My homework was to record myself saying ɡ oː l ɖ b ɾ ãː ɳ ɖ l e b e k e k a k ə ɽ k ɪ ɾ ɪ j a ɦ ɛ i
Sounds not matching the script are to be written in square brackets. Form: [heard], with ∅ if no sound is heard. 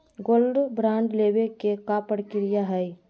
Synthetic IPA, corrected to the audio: ɡ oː l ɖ b ɾ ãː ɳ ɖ l e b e k e k a [p] ə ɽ k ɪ ɾ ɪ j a ɦ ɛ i